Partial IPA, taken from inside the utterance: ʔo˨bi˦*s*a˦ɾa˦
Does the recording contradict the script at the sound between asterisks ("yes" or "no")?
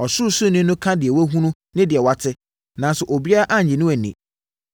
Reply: yes